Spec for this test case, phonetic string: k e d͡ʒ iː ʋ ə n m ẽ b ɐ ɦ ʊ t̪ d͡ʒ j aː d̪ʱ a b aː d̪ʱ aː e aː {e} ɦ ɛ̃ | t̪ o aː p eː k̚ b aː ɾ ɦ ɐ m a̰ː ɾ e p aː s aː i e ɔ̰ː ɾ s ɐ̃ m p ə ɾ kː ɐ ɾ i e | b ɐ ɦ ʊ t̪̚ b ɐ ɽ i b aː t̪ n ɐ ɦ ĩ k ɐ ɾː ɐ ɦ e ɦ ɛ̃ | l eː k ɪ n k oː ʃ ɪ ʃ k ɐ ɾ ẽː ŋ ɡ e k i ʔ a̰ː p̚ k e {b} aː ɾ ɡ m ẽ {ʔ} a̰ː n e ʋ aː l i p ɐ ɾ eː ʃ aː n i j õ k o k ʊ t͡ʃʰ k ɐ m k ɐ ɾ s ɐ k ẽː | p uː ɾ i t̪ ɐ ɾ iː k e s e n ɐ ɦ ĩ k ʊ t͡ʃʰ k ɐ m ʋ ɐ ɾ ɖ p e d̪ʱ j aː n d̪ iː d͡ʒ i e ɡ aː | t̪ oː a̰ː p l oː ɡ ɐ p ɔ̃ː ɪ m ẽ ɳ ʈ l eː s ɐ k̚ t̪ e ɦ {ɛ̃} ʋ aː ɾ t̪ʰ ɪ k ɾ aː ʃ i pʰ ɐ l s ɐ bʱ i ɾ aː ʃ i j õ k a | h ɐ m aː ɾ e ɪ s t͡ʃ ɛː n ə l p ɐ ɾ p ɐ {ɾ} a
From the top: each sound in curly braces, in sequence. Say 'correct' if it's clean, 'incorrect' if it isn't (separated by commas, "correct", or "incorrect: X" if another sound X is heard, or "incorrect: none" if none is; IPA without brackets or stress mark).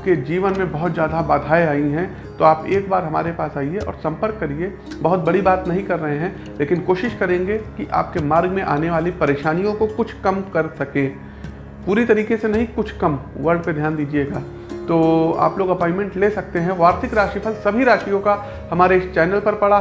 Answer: incorrect: i, incorrect: m, correct, correct, incorrect: ɽ